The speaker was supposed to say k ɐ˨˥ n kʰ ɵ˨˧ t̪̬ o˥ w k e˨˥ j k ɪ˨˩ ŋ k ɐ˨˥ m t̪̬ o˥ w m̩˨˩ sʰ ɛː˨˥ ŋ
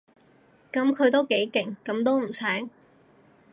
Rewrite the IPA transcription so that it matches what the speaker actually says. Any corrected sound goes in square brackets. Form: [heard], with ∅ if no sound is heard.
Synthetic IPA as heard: k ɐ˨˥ [m] kʰ ɵ˨˧ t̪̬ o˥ w k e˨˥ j k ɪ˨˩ ŋ k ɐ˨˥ m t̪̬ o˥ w m̩˨˩ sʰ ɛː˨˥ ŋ